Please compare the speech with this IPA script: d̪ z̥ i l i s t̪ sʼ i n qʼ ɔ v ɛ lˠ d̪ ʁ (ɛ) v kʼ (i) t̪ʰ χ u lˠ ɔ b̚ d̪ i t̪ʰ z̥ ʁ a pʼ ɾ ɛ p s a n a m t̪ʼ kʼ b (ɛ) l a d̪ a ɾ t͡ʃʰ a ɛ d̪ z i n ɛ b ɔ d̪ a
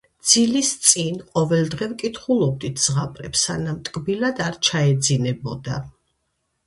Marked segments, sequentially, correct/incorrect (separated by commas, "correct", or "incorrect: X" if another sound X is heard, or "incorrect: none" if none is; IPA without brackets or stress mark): correct, correct, incorrect: i